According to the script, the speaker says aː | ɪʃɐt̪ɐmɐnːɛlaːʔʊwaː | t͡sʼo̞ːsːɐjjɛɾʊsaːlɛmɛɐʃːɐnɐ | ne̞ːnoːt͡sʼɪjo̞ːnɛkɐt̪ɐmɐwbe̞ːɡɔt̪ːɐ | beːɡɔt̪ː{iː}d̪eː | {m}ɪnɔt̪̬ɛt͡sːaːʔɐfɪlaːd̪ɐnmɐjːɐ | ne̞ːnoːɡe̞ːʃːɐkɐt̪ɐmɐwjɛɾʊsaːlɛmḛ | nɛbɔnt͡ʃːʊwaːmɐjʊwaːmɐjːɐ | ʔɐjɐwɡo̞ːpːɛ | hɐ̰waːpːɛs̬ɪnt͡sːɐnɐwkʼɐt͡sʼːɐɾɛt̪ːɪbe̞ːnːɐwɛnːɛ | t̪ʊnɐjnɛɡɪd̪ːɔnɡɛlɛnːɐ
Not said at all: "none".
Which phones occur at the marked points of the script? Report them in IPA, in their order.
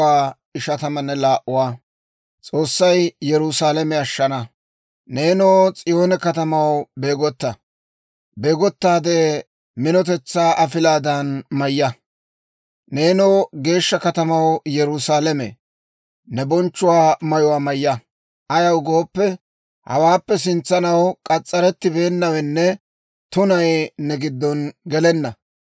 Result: aː, m

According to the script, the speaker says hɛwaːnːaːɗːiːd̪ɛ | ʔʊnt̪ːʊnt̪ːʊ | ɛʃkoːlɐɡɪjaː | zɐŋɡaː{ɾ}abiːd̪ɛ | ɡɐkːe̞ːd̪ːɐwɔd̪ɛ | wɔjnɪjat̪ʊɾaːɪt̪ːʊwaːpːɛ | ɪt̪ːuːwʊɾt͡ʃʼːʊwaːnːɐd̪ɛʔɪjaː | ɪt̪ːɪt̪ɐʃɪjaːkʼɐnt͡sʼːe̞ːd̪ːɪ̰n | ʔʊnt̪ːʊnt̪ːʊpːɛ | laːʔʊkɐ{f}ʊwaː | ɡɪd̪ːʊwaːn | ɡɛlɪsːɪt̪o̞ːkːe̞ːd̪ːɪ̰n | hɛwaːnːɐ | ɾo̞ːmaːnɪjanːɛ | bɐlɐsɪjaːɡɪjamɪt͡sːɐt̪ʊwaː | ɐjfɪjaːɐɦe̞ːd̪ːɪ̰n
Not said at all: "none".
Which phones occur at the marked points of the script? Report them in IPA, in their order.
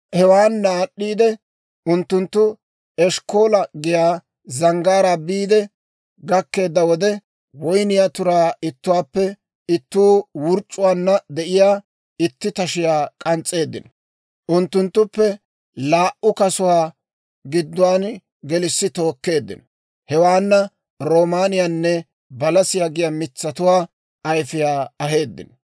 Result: ɾ, s

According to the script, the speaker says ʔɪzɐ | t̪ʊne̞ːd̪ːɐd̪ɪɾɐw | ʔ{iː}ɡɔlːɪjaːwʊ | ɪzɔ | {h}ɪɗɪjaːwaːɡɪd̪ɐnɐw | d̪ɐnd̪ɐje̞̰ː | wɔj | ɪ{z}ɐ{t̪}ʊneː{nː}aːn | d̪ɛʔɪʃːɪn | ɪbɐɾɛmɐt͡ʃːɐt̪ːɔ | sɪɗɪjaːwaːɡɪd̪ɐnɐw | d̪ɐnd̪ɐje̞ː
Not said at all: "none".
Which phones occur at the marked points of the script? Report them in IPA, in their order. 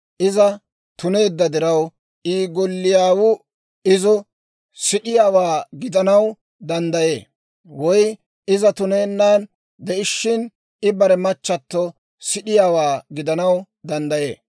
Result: iː, s, z, t̪, nː

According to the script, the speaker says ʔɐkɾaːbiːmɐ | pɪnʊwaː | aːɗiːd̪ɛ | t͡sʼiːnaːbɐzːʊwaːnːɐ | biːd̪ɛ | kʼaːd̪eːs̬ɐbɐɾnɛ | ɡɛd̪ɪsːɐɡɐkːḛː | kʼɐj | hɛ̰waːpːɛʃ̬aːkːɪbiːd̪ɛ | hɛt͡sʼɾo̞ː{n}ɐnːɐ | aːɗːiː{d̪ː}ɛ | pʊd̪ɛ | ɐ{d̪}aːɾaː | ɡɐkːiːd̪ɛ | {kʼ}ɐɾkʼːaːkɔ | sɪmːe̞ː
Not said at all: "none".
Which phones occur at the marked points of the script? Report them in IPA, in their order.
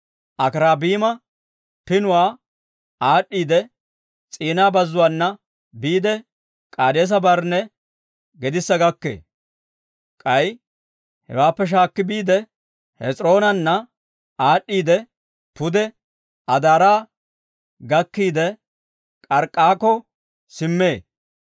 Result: n, d̪, d̪, kʼ

